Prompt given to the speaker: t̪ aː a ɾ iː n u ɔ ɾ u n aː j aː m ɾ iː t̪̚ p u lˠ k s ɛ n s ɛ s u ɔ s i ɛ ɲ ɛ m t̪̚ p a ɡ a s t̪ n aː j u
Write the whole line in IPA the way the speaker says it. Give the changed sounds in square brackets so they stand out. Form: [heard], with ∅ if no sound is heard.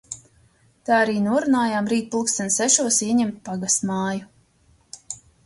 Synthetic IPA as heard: t̪ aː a ɾ iː n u ɔ ɾ u n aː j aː m ɾ iː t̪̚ p u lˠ k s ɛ n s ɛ [ʃ] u ɔ s i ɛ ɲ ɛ m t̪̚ p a ɡ a s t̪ [m] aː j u